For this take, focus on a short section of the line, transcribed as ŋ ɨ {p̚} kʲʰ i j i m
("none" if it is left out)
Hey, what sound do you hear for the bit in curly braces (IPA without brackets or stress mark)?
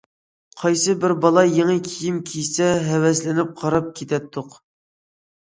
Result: none